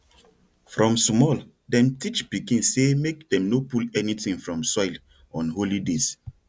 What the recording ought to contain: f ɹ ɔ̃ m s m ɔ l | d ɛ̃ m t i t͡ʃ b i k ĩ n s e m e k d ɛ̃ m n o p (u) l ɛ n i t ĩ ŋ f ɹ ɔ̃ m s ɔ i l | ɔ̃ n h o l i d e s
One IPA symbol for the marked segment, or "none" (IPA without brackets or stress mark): u